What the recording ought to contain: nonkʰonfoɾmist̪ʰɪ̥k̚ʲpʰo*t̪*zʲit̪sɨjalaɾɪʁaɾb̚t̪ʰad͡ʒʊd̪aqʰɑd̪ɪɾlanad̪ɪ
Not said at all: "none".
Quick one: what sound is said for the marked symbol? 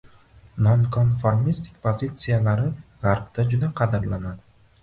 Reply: none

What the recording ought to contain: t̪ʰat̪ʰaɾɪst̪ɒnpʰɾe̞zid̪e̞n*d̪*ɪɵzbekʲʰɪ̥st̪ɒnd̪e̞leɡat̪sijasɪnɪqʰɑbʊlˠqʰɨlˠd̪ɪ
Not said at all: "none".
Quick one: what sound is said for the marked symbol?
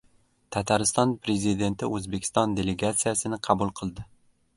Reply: t̪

